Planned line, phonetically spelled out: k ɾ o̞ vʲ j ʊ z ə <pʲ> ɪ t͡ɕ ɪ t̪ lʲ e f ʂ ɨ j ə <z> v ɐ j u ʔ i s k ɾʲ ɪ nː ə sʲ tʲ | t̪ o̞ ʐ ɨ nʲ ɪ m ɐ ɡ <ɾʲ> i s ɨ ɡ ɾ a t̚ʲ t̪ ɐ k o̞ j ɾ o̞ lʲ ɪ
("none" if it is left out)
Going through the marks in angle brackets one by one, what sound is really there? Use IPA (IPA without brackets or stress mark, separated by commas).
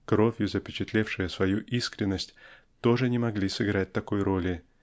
pʲ, s, lʲ